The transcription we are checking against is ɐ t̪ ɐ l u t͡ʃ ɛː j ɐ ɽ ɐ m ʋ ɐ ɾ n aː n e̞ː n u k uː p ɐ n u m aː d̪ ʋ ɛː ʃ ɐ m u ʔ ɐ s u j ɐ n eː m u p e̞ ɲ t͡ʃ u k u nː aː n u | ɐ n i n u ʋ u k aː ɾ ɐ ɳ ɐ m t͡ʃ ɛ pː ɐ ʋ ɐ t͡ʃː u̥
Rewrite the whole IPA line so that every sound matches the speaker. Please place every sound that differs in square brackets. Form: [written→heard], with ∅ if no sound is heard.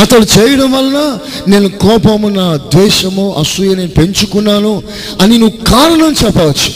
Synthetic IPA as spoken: ɐ t̪ ɐ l u t͡ʃ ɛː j ɐ ɽ ɐ m ʋ ɐ [ɾ→l] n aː n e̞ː n u k [uː→ɔː] p ɐ [n→m] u [m→n] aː d̪ ʋ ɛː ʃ ɐ m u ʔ ɐ s u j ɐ n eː [m→n] u p e̞ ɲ t͡ʃ u k u nː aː n u | ɐ n i n u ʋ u k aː ɾ ɐ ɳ ɐ m t͡ʃ ɛ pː ɐ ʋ ɐ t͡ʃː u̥